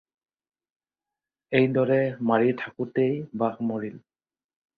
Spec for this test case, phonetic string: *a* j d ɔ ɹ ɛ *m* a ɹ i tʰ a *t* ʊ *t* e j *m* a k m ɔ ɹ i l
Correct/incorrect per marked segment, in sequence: incorrect: e, correct, incorrect: k, correct, incorrect: b

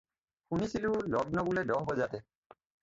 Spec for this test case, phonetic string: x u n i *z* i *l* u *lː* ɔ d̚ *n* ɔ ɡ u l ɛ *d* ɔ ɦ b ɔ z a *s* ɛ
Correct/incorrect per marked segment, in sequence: incorrect: s, correct, incorrect: l, correct, correct, incorrect: t

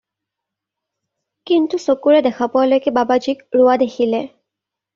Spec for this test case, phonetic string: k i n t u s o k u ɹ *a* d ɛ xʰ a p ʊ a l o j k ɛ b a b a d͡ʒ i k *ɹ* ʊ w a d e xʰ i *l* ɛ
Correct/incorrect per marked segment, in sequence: incorrect: ɛ, correct, correct

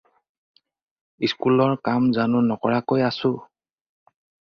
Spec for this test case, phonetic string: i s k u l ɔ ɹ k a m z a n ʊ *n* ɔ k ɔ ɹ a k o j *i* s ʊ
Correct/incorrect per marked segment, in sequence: correct, incorrect: a

